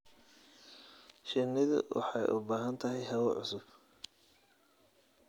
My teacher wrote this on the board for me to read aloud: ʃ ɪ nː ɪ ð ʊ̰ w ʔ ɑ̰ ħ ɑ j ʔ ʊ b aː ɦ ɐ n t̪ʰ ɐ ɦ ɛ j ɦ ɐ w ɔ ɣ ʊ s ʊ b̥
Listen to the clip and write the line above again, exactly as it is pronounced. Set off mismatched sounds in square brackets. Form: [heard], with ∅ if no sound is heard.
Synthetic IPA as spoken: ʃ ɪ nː ɪ ð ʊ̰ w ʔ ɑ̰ ħ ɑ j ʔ ʊ b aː ɦ ɐ n t̪ʰ ɐ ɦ ɛ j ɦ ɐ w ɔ [ʕ] ʊ s ʊ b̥